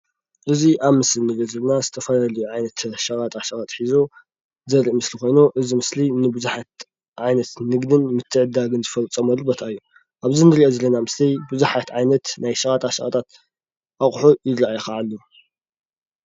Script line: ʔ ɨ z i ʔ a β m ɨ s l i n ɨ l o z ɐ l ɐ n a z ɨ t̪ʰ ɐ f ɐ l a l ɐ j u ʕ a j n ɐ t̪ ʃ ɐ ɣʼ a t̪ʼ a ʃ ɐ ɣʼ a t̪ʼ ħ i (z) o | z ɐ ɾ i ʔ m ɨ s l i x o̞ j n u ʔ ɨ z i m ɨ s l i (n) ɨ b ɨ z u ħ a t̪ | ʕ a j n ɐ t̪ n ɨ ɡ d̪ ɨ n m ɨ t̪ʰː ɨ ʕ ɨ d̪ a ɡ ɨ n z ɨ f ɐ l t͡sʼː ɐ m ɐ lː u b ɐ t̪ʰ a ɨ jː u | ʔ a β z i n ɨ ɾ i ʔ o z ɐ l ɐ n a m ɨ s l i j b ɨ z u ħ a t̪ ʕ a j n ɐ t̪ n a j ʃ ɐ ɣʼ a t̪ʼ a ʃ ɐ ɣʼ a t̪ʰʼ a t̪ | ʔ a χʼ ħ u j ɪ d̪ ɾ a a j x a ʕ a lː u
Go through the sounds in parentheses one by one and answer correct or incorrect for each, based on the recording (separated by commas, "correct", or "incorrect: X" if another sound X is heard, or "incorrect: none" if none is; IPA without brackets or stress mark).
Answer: correct, correct